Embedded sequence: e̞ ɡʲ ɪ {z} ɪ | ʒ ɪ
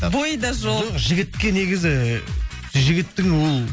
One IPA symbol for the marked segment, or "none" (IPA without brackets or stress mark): z